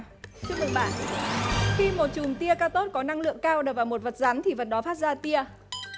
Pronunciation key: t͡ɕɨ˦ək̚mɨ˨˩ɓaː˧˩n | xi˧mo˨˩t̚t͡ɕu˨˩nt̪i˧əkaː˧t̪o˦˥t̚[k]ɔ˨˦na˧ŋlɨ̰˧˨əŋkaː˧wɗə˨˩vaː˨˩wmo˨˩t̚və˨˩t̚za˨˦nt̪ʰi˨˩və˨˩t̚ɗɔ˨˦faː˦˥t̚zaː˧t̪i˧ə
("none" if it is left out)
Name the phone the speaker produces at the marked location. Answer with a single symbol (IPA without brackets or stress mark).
k